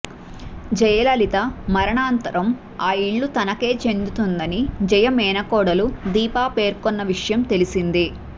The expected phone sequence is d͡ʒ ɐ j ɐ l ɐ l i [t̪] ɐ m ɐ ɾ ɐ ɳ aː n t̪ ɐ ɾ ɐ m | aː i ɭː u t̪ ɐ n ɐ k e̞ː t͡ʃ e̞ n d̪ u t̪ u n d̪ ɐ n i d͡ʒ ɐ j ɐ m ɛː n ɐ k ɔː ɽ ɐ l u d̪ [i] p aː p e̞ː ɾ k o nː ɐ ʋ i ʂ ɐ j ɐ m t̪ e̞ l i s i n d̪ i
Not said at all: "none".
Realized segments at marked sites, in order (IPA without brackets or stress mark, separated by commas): t̪, iː